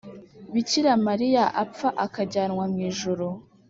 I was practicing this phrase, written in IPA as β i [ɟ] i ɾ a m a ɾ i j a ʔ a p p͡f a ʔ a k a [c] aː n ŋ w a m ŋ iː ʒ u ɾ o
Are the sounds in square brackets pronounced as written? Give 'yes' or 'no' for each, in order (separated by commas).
no, no